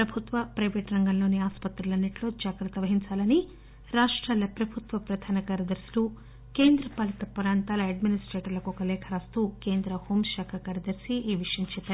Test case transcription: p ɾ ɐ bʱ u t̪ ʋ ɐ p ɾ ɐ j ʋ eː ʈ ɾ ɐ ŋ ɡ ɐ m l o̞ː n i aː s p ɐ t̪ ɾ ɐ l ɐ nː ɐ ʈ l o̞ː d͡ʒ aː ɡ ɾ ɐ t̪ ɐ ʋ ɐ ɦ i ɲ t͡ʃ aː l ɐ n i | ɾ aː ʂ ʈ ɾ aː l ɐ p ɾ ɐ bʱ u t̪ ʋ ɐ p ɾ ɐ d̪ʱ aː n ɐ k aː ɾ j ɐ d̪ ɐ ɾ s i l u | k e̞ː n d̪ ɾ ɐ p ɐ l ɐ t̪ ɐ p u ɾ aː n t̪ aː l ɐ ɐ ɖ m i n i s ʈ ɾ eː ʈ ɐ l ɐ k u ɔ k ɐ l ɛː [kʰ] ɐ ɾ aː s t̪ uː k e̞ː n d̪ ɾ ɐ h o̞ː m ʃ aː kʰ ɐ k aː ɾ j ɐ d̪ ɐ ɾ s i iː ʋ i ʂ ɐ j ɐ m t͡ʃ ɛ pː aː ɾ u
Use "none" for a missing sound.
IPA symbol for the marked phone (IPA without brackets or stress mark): kʰ